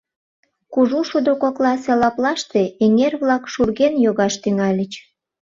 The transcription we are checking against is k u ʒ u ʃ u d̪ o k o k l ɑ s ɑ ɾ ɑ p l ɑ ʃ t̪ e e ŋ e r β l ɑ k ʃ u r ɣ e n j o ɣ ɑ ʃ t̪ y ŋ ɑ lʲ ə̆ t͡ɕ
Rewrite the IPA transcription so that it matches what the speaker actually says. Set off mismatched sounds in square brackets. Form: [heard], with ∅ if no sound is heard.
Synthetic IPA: k u ʒ u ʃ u d̪ o k o k l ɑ s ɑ [l] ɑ p l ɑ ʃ t̪ e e ŋ e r β l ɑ k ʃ u r ɣ e n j o ɣ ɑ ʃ t̪ y ŋ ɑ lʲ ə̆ t͡ɕ